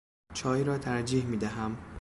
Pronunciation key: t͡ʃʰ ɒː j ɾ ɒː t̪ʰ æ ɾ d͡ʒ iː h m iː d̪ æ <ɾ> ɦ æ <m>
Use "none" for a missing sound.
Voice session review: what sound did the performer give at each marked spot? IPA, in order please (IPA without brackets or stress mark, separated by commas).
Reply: none, m